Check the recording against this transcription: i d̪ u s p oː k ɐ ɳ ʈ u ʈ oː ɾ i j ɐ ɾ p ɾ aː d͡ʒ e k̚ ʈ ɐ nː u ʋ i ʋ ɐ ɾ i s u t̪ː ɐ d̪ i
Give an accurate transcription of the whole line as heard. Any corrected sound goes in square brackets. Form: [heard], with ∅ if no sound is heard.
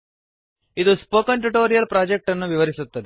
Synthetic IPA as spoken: i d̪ u s p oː k ɐ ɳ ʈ u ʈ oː ɾ i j ɐ [l] p ɾ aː d͡ʒ e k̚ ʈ ɐ nː u ʋ i ʋ ɐ ɾ i s u t̪ː ɐ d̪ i